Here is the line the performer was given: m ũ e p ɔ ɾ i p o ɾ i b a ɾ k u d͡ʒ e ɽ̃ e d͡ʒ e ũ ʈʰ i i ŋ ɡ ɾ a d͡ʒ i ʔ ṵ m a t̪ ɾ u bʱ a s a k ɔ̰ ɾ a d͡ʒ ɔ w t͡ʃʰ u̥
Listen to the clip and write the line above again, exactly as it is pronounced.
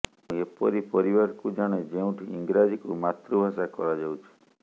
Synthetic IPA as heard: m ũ e p ɔ ɾ i p ɔ ɾ i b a ɾ k u d͡ʒ a ɽ̃ e d͡ʒ e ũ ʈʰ i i ŋ ɡ ɾ a d͡ʒ i k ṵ m a t̪ ɾ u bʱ a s a k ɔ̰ ɾ a d͡ʒ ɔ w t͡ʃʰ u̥